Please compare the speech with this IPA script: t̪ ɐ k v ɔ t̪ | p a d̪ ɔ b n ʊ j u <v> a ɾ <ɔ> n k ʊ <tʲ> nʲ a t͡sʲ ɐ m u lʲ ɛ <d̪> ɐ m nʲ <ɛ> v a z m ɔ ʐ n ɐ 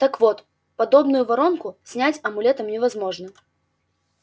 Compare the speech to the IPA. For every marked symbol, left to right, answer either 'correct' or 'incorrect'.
correct, correct, incorrect: sʲ, incorrect: t̪, correct

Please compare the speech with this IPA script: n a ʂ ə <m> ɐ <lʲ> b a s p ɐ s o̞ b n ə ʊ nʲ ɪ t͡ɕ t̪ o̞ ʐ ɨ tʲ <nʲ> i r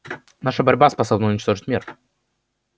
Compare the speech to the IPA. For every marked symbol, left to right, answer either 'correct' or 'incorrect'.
incorrect: b, incorrect: ɾʲ, incorrect: mʲ

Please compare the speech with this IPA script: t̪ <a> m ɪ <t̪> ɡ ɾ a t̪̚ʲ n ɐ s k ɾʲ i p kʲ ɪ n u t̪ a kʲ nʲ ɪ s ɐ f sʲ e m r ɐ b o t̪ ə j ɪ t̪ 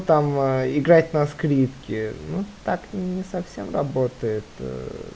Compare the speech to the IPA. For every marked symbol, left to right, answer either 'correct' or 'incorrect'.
correct, incorrect: none

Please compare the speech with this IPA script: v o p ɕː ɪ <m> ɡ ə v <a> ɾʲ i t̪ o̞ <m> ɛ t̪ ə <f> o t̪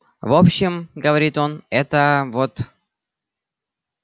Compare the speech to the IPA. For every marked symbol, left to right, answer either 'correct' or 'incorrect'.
correct, incorrect: ɐ, incorrect: n, incorrect: v

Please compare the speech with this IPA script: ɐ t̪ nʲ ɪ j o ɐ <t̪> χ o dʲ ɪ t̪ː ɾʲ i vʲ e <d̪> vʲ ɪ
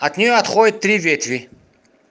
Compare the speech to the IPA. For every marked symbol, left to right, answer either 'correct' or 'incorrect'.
correct, incorrect: t̪

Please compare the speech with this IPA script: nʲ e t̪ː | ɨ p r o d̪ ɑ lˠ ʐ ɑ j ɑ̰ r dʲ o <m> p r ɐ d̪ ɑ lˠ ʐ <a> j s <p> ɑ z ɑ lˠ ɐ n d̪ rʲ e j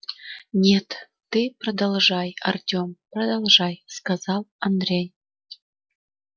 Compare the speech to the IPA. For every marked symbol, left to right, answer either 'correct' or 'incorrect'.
correct, incorrect: ɑ, incorrect: k

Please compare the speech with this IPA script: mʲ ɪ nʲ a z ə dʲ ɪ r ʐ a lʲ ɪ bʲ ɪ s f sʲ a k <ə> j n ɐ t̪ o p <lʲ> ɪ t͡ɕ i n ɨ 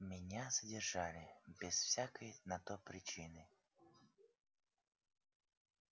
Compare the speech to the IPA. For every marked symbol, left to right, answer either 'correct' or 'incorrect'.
correct, incorrect: ɾʲ

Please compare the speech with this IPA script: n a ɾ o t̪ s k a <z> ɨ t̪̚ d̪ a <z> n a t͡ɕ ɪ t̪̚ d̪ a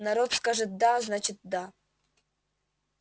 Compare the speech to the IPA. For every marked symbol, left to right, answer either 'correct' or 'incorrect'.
incorrect: ʐ, correct

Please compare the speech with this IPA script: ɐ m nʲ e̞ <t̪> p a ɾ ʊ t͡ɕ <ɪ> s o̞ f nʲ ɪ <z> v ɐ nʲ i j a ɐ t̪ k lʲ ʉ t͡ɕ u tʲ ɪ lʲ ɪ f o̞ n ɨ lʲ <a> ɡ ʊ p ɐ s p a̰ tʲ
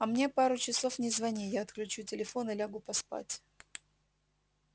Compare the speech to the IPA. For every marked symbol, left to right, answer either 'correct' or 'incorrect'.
incorrect: none, correct, correct, correct

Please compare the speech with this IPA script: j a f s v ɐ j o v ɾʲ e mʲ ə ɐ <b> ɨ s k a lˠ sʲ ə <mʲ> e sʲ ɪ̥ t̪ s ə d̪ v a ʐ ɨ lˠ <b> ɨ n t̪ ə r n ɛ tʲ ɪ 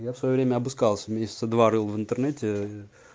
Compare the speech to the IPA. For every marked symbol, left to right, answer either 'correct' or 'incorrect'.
correct, correct, incorrect: v

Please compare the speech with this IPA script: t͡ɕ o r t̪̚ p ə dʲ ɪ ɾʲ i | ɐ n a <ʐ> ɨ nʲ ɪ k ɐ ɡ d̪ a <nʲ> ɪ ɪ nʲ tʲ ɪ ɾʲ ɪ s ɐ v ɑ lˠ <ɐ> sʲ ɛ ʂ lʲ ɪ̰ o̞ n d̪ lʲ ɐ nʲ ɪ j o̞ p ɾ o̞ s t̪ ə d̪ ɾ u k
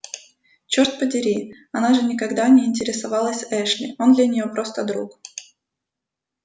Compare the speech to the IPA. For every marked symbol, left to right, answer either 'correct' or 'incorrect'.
correct, correct, incorrect: ə

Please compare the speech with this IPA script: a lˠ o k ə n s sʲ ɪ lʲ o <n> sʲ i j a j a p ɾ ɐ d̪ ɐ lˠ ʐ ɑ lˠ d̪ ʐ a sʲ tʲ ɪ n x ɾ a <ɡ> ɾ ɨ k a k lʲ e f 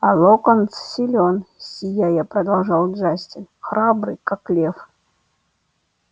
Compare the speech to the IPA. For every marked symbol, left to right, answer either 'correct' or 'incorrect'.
correct, incorrect: b

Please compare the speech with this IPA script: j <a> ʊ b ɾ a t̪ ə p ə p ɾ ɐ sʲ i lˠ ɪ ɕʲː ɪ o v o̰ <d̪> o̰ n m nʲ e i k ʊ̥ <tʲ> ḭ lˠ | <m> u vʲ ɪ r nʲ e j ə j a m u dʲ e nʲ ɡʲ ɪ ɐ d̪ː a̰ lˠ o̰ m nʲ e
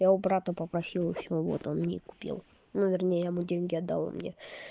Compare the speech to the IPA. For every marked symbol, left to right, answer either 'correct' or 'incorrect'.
correct, incorrect: t̪, incorrect: pʲ, incorrect: n

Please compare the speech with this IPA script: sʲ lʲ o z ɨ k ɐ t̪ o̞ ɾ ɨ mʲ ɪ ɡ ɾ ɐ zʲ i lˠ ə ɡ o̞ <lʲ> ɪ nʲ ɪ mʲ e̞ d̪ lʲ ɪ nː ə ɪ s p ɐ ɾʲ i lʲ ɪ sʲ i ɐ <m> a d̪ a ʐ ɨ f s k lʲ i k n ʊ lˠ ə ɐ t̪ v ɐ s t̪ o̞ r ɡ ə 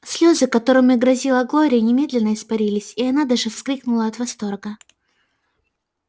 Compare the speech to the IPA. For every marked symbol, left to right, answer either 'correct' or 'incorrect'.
incorrect: ɾʲ, incorrect: n

